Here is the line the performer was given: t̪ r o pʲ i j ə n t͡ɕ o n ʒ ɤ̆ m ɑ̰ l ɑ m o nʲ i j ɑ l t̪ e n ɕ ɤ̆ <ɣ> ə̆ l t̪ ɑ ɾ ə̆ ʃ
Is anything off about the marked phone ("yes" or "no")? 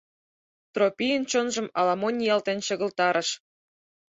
no